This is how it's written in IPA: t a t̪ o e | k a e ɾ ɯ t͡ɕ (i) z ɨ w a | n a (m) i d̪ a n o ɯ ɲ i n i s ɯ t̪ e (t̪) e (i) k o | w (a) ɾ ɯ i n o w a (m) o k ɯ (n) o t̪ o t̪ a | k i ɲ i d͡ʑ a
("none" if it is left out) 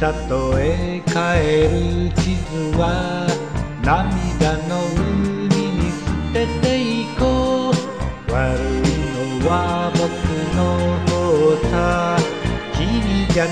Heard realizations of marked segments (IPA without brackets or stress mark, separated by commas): i, m, t̪, i, a, b, n